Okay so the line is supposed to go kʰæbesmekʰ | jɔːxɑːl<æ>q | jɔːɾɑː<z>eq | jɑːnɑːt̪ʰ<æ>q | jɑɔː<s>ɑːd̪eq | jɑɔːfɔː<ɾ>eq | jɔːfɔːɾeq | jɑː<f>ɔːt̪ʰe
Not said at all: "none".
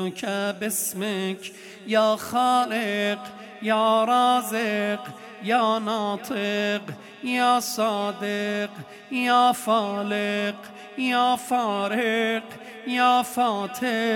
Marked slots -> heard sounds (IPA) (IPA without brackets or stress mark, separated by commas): e, z, e, s, l, f